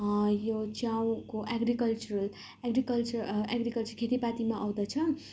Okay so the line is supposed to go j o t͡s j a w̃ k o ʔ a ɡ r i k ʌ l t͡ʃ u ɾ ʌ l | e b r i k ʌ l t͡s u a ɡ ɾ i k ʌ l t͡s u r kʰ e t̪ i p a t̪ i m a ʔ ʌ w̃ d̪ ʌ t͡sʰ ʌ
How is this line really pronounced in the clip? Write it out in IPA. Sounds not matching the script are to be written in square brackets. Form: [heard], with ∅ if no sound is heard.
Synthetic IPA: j o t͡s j a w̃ k o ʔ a ɡ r i k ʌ l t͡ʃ u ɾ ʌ l | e [ɡ] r i k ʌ l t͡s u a ɡ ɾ i k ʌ l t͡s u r kʰ e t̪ i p a t̪ i m a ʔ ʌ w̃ d̪ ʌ t͡sʰ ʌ